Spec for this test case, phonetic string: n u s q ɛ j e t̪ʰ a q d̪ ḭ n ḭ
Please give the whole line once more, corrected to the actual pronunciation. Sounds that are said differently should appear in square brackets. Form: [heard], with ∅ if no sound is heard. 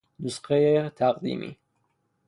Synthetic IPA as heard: n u s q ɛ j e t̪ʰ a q d̪ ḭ [m] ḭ